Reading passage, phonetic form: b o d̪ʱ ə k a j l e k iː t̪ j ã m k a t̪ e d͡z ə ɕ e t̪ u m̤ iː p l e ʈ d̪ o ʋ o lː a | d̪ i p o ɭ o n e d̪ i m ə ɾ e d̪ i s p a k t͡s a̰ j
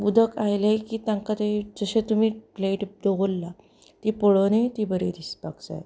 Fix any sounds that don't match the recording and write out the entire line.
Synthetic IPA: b u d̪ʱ ə k a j l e k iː t̪ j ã ŋ k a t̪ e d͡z ə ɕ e t̪ u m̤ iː p l e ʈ d̪ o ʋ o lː a | t̪ i p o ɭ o n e t̪ i b ə ɾ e d̪ i s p a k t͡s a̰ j